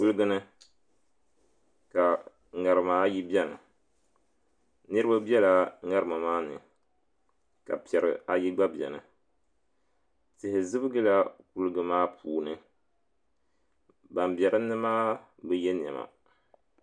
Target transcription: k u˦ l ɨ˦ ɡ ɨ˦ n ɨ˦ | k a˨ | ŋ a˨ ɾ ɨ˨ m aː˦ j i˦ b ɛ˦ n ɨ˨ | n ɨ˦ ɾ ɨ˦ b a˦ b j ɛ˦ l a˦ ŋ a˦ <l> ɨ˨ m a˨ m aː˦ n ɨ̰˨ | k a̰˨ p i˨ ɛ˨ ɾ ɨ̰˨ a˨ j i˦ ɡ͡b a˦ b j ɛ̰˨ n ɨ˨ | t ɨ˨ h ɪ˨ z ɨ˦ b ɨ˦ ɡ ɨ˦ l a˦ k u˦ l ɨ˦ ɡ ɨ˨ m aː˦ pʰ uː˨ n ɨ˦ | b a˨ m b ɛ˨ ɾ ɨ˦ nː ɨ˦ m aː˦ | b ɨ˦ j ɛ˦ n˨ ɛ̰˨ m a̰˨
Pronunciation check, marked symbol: incorrect: ɾ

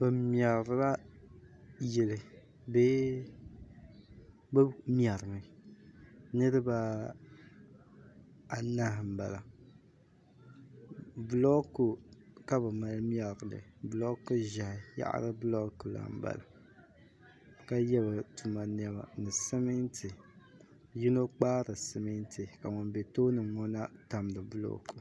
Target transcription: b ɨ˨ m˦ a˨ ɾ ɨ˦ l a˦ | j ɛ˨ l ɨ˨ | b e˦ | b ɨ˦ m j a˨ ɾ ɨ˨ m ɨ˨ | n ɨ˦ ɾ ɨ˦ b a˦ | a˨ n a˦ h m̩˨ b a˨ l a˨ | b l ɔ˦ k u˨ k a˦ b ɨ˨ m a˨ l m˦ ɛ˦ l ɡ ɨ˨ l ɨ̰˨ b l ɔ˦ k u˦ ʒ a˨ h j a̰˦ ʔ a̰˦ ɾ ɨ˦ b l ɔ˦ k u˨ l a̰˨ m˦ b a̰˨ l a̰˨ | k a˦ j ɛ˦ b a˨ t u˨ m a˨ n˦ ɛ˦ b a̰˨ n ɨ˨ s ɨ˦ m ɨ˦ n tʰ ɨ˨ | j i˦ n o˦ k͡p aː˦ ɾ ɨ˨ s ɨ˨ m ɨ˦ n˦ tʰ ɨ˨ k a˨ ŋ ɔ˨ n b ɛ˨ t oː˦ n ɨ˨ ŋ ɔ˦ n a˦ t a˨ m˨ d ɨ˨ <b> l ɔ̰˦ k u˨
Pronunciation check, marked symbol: correct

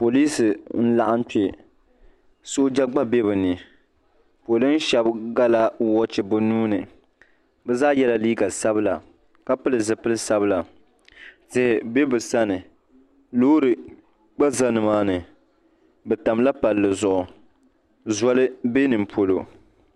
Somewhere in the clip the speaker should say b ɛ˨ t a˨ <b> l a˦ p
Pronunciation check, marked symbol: incorrect: m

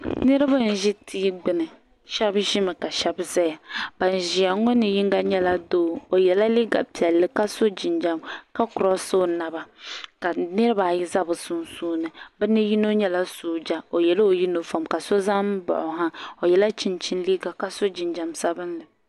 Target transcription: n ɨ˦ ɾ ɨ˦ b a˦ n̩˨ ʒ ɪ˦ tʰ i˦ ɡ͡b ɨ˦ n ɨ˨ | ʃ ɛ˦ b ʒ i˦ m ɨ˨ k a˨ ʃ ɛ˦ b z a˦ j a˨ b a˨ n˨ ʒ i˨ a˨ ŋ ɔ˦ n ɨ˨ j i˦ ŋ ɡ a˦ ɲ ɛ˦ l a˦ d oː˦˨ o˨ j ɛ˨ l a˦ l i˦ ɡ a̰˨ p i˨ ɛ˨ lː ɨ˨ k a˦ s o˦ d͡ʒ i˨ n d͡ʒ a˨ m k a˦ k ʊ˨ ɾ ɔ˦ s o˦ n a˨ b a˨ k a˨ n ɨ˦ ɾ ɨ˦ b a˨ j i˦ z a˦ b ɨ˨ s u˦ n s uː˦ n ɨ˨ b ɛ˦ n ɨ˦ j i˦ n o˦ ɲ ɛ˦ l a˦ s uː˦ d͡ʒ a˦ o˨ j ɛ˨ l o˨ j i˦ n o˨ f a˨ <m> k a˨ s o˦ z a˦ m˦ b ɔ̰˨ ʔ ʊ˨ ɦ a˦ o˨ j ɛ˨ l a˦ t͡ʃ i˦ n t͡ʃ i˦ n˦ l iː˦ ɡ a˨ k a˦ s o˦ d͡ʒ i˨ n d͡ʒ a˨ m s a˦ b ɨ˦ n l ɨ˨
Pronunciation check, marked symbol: correct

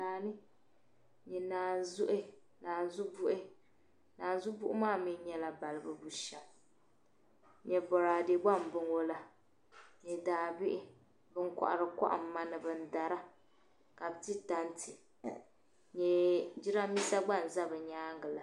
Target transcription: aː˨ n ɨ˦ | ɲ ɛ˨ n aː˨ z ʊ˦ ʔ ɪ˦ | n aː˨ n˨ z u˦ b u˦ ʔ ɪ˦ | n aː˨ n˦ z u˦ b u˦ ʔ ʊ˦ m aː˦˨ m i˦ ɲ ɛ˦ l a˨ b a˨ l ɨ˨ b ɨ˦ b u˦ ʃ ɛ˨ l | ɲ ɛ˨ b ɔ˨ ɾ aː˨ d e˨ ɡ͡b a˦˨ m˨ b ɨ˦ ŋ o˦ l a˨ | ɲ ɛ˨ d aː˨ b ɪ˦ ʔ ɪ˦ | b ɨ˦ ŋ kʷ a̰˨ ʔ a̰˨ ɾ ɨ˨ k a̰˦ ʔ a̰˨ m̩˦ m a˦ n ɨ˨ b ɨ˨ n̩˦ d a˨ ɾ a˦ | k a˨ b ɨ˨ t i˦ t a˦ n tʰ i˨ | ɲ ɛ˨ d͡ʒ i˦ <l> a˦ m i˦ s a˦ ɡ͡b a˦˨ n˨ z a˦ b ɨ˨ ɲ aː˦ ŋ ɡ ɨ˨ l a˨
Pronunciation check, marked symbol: incorrect: ɾ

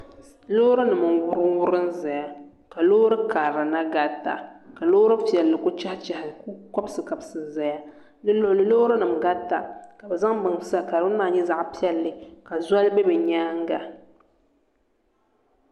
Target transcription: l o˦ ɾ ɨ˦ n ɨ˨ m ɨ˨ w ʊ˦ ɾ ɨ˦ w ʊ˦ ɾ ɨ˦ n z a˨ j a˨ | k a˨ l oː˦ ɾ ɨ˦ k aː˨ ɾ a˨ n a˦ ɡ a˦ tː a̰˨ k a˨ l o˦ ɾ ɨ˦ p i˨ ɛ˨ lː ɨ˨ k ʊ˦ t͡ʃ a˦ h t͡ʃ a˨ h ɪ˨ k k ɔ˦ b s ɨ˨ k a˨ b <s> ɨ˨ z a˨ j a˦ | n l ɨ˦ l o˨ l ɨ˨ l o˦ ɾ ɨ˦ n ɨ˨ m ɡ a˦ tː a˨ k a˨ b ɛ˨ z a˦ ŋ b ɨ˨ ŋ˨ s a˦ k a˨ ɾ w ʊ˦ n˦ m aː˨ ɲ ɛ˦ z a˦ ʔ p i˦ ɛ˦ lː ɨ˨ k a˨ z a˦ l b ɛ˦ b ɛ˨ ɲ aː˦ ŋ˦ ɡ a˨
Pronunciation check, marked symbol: correct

